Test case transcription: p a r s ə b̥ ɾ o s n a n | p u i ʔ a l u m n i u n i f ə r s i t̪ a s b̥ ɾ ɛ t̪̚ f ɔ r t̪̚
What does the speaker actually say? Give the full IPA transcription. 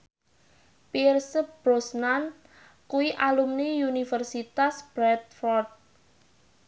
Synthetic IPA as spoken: p i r s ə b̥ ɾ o s n a n | k u i ʔ a l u m n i u n i f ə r s i t̪ a s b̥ ɾ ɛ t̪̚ f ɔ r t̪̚